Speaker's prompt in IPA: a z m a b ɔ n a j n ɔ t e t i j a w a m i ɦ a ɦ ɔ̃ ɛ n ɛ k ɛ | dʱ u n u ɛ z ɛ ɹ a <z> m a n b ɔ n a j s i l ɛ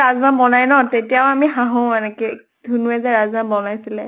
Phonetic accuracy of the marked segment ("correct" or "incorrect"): correct